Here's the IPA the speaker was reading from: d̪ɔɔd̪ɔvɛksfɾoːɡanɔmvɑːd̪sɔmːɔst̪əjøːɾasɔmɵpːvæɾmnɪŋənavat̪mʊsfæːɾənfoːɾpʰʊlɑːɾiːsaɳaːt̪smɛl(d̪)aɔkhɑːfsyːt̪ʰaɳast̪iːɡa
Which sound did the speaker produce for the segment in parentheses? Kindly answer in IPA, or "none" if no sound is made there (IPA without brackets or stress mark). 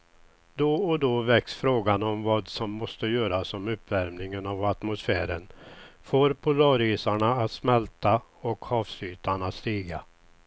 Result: t̪